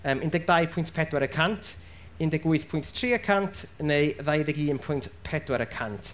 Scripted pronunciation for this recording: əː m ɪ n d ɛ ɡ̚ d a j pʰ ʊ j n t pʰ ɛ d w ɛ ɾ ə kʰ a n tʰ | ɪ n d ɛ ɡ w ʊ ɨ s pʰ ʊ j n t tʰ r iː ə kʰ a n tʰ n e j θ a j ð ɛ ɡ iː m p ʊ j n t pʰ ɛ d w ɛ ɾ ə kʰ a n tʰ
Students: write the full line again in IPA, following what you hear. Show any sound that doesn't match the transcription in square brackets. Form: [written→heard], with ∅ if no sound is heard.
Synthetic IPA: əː m ɪ n d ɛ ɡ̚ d a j pʰ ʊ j n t pʰ ɛ d w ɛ ɾ ə kʰ a n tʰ | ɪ n d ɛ ɡ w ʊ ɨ [s→θ] pʰ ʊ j n t tʰ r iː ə kʰ a n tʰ n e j [θ→ð] a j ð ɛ ɡ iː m [p→pʰ] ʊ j n t pʰ ɛ d w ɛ ɾ ə kʰ a n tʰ